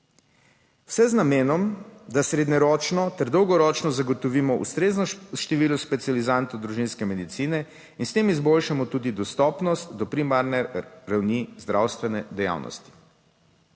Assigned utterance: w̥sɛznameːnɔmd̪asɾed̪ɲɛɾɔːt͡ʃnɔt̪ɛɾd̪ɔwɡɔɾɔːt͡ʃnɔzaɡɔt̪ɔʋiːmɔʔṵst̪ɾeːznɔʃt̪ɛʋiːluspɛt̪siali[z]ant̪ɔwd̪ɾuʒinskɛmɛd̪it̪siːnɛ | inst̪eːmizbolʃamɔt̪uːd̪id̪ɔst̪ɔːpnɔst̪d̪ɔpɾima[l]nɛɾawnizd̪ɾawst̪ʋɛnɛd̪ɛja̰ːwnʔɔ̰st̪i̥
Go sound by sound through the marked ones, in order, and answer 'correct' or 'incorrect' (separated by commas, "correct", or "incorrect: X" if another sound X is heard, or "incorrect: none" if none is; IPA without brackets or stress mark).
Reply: correct, incorrect: ɾ